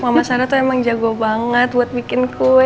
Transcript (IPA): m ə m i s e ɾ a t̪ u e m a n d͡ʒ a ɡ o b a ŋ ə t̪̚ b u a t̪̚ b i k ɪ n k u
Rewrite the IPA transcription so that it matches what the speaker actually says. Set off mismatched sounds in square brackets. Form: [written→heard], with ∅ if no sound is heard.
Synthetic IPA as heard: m [ə→a] m [i→a] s [e→a] ɾ a t̪ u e m a [n→ŋ] d͡ʒ a ɡ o b a ŋ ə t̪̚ b u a t̪̚ b i k ɪ n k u